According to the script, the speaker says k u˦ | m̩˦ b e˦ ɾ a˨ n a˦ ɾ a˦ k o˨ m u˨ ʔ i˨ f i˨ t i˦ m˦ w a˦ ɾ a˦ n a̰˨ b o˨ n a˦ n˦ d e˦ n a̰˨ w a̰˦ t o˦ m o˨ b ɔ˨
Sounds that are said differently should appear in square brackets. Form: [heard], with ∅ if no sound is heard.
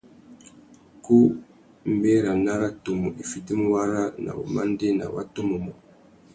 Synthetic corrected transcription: k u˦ | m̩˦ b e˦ ɾ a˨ n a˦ ɾ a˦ [t] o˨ m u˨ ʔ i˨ f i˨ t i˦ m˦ w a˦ ɾ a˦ n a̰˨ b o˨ [m] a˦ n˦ d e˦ n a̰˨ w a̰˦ t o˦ m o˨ [m] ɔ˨